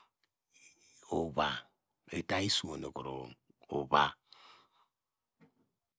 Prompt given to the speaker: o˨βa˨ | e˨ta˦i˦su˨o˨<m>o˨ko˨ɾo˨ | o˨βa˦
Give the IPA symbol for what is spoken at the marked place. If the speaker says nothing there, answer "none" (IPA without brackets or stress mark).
n